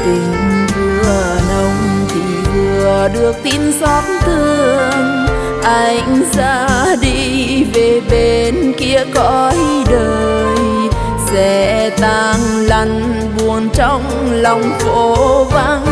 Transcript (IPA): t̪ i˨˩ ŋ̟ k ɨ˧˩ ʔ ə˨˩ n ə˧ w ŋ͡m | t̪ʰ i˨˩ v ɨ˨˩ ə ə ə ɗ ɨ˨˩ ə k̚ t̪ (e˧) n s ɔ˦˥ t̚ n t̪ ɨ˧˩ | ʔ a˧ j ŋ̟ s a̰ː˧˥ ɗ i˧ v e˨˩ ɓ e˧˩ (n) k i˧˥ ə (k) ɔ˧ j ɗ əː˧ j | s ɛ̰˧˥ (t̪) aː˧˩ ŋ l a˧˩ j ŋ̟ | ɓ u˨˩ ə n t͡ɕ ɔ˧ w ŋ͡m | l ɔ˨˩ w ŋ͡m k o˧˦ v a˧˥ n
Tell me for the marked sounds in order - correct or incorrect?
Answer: incorrect, correct, correct, correct

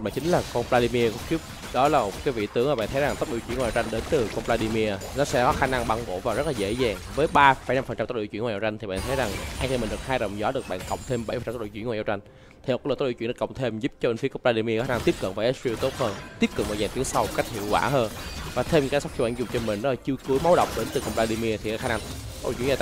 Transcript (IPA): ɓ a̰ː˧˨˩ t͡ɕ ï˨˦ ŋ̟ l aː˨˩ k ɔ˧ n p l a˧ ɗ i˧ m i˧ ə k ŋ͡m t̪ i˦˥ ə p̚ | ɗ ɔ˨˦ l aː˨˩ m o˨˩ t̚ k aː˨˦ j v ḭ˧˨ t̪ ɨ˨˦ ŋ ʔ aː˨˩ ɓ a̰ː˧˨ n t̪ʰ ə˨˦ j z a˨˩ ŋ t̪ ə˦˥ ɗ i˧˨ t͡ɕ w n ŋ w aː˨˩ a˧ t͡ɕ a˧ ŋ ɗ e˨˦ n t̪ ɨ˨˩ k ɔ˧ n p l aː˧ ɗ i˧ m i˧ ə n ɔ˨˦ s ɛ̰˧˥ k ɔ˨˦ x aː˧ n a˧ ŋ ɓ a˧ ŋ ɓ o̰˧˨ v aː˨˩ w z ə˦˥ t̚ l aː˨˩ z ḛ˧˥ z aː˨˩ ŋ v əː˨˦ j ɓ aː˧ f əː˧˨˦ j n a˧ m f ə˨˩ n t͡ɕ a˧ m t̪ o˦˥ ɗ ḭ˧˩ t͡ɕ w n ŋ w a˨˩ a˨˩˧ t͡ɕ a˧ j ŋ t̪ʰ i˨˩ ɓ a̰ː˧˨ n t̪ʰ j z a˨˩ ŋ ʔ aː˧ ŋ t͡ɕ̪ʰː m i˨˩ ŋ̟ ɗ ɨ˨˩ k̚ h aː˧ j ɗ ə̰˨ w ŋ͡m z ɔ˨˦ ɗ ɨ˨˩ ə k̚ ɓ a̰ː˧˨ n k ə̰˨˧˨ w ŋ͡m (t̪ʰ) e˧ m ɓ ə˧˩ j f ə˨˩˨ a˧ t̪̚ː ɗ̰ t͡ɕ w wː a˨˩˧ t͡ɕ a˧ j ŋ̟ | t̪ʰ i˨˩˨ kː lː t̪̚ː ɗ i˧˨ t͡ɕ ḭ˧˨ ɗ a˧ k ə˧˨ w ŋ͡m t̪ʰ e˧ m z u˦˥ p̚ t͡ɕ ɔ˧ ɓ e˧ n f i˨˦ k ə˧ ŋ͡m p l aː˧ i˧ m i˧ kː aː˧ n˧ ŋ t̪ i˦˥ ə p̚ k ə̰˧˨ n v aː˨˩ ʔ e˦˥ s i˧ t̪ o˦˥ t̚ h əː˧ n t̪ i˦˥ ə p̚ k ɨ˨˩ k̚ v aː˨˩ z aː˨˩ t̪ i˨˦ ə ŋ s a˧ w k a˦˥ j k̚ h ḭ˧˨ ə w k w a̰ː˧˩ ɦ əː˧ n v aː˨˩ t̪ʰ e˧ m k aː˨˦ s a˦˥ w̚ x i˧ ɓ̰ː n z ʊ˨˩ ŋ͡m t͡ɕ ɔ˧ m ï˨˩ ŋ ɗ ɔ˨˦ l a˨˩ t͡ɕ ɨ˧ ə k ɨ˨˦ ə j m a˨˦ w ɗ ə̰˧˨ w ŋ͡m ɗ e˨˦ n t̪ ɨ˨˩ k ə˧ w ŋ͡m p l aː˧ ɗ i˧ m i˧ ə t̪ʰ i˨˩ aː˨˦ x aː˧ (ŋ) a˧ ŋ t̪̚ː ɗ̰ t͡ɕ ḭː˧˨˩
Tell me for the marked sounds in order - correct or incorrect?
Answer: correct, incorrect

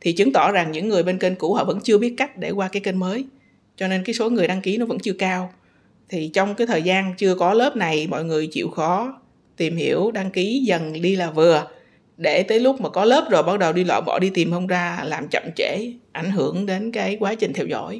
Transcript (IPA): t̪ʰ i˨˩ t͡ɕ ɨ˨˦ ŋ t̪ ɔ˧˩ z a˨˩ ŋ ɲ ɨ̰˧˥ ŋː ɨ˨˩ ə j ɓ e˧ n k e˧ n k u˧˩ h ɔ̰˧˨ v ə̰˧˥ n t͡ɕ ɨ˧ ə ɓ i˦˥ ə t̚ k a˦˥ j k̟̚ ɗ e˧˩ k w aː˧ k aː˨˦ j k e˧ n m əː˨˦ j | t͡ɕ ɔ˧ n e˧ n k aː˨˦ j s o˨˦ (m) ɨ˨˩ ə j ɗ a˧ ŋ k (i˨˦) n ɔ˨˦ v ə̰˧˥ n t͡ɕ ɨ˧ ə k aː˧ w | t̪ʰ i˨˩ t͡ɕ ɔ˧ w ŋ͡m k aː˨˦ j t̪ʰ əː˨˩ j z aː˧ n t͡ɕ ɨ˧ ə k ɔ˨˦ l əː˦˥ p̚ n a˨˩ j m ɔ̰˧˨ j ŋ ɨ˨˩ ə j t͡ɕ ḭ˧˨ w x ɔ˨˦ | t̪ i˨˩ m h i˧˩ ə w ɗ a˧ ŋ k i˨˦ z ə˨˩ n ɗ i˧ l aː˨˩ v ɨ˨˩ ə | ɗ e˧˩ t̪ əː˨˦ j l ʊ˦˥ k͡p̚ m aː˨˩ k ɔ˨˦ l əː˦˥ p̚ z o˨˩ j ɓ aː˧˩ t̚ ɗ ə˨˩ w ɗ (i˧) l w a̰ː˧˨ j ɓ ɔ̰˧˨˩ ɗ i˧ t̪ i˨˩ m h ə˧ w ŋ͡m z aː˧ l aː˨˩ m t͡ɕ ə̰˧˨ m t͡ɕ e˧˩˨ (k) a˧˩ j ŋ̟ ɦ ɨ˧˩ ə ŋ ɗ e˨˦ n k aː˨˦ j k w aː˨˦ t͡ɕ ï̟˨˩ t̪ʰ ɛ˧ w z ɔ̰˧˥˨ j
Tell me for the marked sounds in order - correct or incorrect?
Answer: incorrect, correct, correct, incorrect

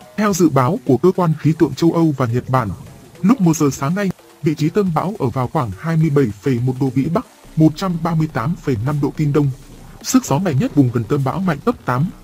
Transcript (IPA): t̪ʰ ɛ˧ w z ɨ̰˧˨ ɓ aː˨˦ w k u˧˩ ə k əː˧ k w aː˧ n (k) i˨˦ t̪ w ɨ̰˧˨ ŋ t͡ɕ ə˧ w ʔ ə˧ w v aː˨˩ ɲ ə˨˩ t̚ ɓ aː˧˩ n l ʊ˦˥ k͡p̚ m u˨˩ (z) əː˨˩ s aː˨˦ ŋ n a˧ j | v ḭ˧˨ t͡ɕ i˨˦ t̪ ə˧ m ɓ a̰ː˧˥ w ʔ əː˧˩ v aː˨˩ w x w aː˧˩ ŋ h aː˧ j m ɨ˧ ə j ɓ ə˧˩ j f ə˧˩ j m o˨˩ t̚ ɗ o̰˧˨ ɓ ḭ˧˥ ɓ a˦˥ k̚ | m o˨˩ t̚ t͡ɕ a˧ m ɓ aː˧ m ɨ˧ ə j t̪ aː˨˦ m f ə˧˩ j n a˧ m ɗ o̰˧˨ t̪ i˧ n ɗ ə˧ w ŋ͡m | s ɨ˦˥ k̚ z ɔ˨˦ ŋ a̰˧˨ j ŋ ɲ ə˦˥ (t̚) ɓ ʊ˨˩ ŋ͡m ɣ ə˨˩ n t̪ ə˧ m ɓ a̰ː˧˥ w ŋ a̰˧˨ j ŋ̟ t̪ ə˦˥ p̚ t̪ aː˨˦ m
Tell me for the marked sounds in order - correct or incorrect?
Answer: incorrect, correct, correct

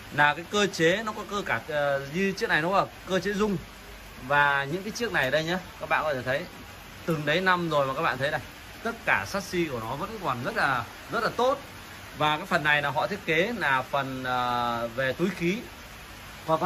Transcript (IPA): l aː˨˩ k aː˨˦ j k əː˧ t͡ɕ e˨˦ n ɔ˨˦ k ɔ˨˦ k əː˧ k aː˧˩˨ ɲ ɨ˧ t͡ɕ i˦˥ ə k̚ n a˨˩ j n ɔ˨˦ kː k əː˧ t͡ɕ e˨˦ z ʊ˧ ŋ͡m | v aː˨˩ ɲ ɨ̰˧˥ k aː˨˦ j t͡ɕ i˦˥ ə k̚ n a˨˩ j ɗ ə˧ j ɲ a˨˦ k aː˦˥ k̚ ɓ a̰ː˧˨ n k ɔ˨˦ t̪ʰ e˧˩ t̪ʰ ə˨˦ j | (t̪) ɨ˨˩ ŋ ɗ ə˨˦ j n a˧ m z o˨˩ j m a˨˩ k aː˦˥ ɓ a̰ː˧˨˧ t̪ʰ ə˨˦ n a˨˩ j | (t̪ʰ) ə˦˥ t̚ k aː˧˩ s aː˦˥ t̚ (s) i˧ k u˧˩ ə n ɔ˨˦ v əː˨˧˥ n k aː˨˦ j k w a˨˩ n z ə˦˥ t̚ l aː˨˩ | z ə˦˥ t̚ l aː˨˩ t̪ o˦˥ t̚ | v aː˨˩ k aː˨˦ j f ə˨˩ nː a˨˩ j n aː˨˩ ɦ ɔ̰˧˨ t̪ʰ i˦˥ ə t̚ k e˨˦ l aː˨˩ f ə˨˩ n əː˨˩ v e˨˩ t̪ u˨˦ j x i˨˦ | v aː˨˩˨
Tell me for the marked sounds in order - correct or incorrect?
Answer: correct, incorrect, correct

